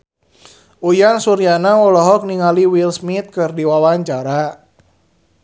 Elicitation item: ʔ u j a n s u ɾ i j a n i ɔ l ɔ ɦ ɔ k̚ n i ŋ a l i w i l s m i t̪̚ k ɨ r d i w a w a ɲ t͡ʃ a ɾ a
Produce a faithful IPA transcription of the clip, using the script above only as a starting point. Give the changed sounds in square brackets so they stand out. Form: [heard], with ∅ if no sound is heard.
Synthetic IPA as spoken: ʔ u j a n s u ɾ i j a n [a] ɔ l ɔ ɦ ɔ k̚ n i ŋ a l i w i l s m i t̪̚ k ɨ r d i w a w a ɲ t͡ʃ a ɾ a